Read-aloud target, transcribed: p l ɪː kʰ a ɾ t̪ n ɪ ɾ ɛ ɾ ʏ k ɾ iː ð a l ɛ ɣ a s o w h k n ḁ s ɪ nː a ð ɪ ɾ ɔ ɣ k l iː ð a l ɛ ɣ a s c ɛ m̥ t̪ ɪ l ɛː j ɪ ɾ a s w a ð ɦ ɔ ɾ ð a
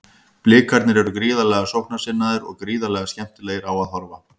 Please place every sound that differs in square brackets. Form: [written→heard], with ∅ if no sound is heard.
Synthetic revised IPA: p l ɪː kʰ a ɾ t̪ n ɪ ɾ ɛ ɾ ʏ k ɾ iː ð a l ɛ ɣ a s o w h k n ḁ s ɪ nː a ð ɪ ɾ ɔ ɣ k [l→ɾ] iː ð a l ɛ ɣ a s c ɛ m̥ t̪ ɪ l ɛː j ɪ ɾ a [s→∅] w a ð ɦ ɔ ɾ [ð→v] a